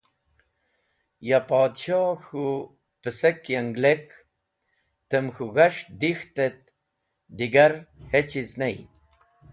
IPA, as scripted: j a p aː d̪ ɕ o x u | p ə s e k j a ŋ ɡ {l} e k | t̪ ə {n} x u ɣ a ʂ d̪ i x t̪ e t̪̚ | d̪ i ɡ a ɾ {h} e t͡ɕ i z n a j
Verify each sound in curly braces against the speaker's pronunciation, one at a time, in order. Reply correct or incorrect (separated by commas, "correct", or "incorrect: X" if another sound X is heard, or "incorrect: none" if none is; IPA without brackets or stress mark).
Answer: correct, incorrect: m, correct